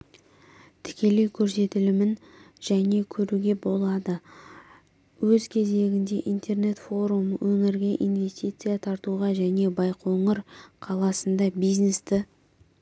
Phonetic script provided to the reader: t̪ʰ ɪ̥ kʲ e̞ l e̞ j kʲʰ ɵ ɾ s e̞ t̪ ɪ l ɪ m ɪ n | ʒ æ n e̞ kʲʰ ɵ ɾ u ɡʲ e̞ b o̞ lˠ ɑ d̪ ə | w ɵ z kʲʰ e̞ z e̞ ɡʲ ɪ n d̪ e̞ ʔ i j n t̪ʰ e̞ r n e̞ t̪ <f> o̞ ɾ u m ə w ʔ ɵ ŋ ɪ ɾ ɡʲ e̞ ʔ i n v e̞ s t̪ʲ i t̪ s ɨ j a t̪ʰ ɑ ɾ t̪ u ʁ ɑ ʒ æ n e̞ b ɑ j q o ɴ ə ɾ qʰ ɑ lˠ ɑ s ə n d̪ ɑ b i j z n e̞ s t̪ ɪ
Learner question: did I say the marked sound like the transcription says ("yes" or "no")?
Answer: yes